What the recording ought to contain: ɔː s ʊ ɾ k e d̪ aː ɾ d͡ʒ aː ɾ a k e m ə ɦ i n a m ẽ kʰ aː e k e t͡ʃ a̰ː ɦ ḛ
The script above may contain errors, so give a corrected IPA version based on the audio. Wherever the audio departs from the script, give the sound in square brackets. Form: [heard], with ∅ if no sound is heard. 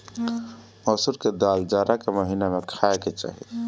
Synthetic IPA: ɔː s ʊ ɾ k e d̪ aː [l] d͡ʒ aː ɾ a k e m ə ɦ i n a m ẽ kʰ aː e k e t͡ʃ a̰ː ɦ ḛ